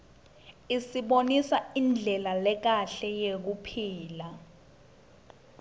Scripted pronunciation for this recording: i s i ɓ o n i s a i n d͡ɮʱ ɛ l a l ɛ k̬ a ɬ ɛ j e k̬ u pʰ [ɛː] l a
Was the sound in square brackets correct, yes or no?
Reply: no